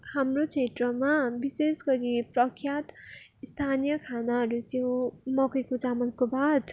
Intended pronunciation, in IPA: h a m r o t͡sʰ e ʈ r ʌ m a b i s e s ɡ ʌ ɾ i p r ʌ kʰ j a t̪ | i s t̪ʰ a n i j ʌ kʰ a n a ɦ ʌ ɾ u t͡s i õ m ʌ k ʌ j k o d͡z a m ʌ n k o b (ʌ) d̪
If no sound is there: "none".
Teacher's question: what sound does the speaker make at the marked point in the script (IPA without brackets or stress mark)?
a